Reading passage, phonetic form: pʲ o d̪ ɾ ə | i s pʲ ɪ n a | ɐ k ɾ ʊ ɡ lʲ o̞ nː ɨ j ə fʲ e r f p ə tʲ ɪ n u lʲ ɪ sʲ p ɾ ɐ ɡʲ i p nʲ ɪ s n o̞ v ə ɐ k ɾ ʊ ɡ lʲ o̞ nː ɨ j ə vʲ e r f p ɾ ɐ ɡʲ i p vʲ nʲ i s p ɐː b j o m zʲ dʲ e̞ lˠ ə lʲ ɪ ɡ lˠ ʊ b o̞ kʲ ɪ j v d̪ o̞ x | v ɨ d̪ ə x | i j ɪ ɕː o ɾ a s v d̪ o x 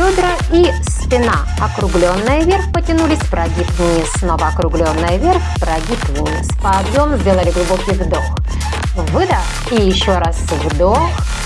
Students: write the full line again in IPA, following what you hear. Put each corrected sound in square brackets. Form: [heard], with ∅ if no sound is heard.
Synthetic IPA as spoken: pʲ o d̪ ɾ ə | i s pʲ ɪ n a | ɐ k ɾ ʊ ɡ lʲ o̞ nː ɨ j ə [vʲ] e r f p ə tʲ ɪ n u lʲ ɪ sʲ p ɾ ɐ ɡʲ i p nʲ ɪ s n o̞ v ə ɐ k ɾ ʊ ɡ lʲ o̞ nː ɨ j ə vʲ e r f p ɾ ɐ ɡʲ i p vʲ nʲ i s p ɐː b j o m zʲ dʲ e̞ lˠ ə lʲ ɪ ɡ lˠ ʊ b o̞ kʲ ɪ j v d̪ o̞ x | v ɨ d̪ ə x | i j ɪ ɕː o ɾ a s v d̪ o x

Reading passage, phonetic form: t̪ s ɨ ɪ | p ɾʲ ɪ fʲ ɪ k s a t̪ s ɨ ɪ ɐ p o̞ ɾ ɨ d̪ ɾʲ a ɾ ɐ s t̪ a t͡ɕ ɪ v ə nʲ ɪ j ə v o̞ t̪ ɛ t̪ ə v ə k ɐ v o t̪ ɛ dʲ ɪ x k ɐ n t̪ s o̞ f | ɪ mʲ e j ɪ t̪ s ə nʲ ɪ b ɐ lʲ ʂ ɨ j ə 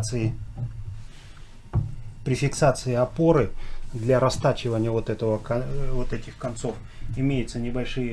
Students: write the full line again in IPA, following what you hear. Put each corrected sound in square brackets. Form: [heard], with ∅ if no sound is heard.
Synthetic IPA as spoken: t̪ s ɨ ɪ | p ɾʲ ɪ fʲ ɪ k s a t̪ s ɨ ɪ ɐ p o̞ ɾ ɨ d̪ [lʲ] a ɾ ɐ s t̪ a t͡ɕ ɪ v ə nʲ ɪ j ə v o̞ t̪ ɛ t̪ ə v ə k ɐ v o t̪ ɛ [tʲ] ɪ x k ɐ n t̪ s o̞ f | ɪ mʲ e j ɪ t̪ s ə nʲ ɪ b ɐ lʲ ʂ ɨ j ə

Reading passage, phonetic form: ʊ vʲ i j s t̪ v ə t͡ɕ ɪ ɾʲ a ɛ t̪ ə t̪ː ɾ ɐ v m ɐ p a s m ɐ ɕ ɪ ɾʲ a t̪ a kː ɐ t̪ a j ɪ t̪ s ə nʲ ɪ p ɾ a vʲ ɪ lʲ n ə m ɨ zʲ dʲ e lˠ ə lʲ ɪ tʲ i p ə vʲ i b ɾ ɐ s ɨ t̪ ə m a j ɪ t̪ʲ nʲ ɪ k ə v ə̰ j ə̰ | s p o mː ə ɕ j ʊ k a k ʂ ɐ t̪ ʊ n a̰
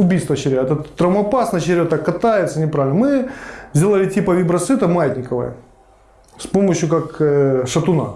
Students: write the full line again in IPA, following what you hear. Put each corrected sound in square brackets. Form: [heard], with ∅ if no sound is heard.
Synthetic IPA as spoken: ʊ [bʲ] i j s t̪ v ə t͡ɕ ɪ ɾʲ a ɛ t̪ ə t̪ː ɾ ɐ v m ɐ p a s [n] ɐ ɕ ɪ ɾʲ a t̪ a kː ɐ t̪ a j ɪ t̪ s ə nʲ ɪ p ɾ a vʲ ɪ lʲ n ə m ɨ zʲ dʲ e lˠ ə lʲ ɪ tʲ i p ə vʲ i b ɾ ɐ s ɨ t̪ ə m a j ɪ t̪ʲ nʲ ɪ k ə v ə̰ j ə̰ | s p o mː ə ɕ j ʊ k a k ʂ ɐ t̪ ʊ n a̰

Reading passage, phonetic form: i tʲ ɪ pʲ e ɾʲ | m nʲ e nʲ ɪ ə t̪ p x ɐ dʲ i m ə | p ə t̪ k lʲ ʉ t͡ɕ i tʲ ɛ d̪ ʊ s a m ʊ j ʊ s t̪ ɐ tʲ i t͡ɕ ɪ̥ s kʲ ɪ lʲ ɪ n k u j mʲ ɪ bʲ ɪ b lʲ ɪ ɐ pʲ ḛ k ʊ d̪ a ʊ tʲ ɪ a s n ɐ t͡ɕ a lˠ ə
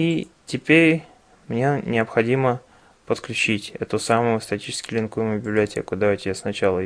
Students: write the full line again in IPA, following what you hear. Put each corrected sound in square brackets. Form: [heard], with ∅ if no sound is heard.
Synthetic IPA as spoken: i tʲ ɪ pʲ e ɾʲ | m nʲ e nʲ ɪ ə [∅] p x ɐ dʲ i m ə | p ə t̪ k lʲ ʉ t͡ɕ i tʲ ɛ [t̪] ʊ s a m ʊ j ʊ s t̪ ɐ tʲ i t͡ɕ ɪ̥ s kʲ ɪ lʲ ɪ n k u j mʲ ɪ bʲ ɪ b lʲ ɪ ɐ [tʲ] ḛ k ʊ d̪ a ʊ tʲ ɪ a s n ɐ t͡ɕ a lˠ ə

